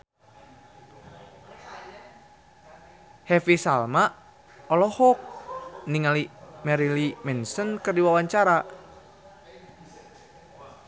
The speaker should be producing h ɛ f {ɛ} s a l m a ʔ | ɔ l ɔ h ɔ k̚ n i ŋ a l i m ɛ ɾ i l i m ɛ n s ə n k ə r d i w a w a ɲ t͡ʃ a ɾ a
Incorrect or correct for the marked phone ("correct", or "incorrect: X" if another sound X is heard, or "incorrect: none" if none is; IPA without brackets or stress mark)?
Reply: incorrect: i